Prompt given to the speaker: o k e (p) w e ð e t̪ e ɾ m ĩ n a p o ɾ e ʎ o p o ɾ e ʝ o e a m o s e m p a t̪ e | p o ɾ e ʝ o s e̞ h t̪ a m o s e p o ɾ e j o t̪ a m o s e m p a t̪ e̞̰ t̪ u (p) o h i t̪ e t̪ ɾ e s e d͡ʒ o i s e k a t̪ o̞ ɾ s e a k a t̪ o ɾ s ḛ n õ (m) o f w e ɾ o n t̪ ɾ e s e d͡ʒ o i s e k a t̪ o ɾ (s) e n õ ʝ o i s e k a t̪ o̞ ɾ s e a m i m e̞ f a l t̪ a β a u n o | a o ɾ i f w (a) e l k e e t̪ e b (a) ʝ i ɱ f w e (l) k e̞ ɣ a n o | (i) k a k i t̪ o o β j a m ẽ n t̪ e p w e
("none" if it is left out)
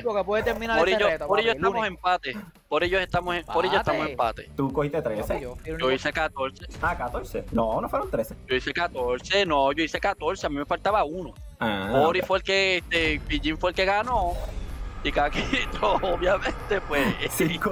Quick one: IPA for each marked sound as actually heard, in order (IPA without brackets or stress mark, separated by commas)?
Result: p, k, n, s, e, i, l, i